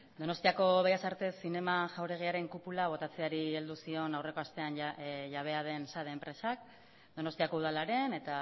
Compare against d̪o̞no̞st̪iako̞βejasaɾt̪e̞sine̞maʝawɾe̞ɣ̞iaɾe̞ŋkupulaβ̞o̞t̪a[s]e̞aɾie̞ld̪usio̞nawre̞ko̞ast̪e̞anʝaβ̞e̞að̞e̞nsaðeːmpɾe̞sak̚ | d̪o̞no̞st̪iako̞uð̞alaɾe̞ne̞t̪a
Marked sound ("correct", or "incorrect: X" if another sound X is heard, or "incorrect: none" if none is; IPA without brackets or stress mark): incorrect: t͡s